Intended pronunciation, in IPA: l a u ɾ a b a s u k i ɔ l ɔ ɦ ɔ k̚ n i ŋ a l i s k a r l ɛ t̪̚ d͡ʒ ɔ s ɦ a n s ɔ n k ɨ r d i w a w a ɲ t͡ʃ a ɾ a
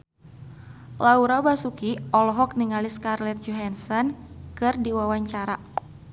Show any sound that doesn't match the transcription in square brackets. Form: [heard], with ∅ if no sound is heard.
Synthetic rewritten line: l a u ɾ a b a s u k i ɔ l ɔ ɦ ɔ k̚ n i ŋ a l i s k a r l ɛ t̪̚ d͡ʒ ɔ [∅] ɦ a n s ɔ n k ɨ r d i w a w a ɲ t͡ʃ a ɾ a